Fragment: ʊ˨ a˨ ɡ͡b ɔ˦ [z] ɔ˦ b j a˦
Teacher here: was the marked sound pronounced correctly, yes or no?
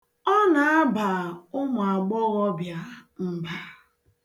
no